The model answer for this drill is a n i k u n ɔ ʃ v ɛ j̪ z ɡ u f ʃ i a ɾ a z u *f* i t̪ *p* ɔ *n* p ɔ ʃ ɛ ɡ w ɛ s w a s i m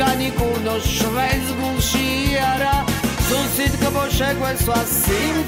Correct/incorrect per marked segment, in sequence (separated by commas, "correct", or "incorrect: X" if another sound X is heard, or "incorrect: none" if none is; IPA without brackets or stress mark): incorrect: s, incorrect: k, incorrect: none